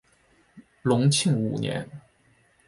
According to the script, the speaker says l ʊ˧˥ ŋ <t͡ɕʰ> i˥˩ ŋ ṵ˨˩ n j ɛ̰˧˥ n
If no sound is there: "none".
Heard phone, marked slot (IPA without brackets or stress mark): t͡ɕʰ